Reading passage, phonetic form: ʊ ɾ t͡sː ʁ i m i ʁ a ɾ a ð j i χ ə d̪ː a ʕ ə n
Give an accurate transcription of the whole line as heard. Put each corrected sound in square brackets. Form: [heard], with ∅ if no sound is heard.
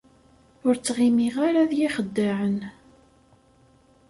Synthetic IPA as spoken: ʊ ɾ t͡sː ʁ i m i ʁ a ɾ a ð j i χ ə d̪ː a ʕ ə n